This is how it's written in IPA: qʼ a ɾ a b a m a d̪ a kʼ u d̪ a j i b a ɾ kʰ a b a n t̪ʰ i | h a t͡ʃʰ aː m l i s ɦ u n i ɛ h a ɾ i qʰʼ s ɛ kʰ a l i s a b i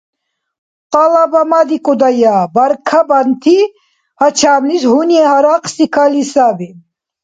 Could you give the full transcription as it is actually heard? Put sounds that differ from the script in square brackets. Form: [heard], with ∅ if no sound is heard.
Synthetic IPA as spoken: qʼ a [l] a b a m a d̪ [i] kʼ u d̪ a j [a] b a ɾ kʰ a b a n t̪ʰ i | h a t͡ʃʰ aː m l i s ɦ u n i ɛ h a ɾ [a] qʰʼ s [i] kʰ a l i s a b i